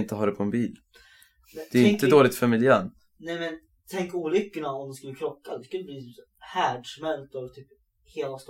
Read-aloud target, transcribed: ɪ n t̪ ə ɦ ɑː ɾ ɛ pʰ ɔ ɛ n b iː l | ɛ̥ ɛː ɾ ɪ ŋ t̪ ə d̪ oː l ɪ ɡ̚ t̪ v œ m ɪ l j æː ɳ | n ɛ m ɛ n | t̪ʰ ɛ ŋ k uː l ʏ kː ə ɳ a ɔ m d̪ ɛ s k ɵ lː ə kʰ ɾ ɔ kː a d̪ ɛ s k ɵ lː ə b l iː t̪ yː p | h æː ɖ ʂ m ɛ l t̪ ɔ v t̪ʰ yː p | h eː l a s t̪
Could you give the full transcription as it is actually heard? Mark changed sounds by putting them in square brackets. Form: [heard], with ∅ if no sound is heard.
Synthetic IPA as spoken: ɪ n t̪ ə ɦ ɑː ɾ ɛ pʰ ɔ ɛ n b iː l | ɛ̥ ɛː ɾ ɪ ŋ t̪ ə d̪ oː l ɪ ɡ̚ t̪ [f] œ m ɪ l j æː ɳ | n ɛ m ɛ n | t̪ʰ ɛ ŋ k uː l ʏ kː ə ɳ a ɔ m d̪ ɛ s k ɵ lː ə kʰ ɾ ɔ kː a d̪ ɛ s k ɵ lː ə b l iː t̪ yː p | h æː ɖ ʂ m ɛ l t̪ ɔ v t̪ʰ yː p | h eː l a s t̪